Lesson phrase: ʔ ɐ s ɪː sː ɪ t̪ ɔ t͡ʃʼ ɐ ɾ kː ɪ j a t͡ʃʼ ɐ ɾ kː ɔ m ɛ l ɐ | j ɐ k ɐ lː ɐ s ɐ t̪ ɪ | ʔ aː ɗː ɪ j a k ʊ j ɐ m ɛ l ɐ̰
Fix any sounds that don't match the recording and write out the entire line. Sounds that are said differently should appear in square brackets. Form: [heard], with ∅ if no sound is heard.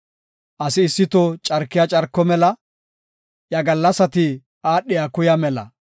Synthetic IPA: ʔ ɐ s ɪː sː ɪ t̪ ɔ t͡ʃʼ ɐ ɾ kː ɪ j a t͡ʃʼ ɐ ɾ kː ɔ m ɛ l ɐ | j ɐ [ɡ] ɐ lː ɐ s ɐ t̪ ɪ | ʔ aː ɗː ɪ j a k ʊ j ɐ m ɛ l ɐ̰